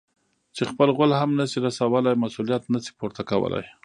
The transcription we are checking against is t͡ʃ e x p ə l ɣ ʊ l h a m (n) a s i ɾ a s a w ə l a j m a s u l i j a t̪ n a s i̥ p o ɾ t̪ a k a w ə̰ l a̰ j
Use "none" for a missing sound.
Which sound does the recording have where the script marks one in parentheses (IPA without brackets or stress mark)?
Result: n